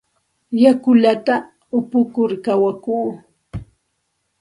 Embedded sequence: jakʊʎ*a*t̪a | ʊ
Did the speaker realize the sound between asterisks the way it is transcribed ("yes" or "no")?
yes